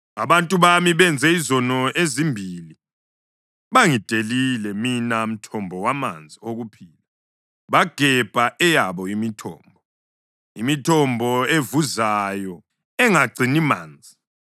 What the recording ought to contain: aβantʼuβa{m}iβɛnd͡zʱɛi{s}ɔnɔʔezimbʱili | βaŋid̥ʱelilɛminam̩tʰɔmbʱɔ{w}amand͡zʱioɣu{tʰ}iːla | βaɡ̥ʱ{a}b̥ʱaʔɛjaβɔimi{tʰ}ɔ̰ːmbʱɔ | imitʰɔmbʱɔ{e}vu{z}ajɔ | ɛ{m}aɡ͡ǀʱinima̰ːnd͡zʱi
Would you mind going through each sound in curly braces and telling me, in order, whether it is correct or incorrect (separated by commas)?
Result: correct, incorrect, correct, incorrect, incorrect, correct, correct, correct, incorrect